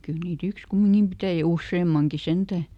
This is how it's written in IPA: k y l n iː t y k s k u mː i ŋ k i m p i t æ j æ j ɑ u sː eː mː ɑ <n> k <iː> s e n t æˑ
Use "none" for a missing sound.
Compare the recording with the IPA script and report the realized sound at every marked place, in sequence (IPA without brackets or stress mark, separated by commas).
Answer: ŋ, i